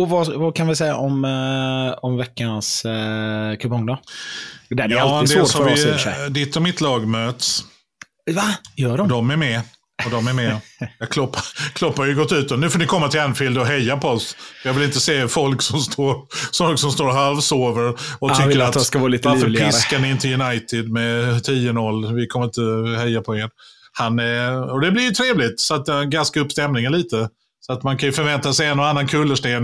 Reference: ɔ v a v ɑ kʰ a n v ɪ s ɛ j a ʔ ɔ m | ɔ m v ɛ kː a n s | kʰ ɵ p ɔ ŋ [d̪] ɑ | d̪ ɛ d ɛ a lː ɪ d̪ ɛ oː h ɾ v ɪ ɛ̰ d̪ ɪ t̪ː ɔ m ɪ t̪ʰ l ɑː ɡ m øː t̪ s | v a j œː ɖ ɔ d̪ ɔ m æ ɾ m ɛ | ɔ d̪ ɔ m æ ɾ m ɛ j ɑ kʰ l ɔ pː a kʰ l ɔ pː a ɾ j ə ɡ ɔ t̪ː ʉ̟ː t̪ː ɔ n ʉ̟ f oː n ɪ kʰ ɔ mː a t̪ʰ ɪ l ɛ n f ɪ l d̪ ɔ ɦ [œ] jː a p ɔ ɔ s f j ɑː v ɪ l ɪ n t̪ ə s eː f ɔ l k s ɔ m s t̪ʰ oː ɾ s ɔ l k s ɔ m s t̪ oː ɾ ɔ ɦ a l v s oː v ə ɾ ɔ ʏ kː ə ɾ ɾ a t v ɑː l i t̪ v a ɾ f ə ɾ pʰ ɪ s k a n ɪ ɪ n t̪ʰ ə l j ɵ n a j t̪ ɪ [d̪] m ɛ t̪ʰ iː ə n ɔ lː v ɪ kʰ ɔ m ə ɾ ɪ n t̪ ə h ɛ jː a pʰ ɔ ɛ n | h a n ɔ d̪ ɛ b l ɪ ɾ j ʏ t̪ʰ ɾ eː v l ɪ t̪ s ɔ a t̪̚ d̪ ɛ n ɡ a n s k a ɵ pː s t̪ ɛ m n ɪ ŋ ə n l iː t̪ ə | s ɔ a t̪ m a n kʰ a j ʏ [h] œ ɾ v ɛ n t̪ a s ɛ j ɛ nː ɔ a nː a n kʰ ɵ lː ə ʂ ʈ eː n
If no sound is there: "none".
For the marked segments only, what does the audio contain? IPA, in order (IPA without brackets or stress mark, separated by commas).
d̪, ɛ, d̪, f